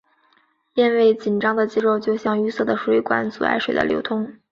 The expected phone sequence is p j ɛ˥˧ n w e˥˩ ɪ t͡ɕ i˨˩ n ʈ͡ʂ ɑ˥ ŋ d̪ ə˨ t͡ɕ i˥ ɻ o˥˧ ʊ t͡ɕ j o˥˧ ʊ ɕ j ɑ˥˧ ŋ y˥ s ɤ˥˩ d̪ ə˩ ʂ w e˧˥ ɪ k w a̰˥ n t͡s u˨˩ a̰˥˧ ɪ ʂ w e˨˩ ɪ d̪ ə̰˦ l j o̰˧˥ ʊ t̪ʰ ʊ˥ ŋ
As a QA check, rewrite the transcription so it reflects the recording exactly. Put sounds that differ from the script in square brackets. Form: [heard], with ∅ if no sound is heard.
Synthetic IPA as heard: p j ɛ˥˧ n w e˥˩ ɪ t͡ɕ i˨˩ n ʈ͡ʂ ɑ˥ ŋ d̪ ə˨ t͡ɕ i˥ ɻ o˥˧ ʊ t͡ɕ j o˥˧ ʊ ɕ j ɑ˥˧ ŋ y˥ s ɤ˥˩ d̪ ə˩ ʂ w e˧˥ ɪ k w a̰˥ n t͡s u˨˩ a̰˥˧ ɪ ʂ w e˨˩ ɪ d̪ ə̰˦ l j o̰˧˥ ʊ t̪ʰ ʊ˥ ŋ